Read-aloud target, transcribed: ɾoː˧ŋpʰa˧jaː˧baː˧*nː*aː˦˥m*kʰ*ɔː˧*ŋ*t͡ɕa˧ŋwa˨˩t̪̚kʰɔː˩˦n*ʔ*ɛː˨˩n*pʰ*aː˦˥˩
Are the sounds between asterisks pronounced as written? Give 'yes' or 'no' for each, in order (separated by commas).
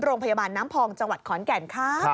yes, no, yes, no, no